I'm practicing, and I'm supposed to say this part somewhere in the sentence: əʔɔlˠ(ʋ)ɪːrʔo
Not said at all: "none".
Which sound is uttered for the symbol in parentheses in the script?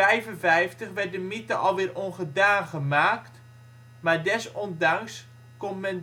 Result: ʋ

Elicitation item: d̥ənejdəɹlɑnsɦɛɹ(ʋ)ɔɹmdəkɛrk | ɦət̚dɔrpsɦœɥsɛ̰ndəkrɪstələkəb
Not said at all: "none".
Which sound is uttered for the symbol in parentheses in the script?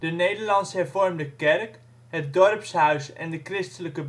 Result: v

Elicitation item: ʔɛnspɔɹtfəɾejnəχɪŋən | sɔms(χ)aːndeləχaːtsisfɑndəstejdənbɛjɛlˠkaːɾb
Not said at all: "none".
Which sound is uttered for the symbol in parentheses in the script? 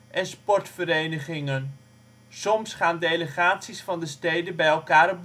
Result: χ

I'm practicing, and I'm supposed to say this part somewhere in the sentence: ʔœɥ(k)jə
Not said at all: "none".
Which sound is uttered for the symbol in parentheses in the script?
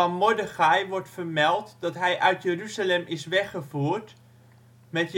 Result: t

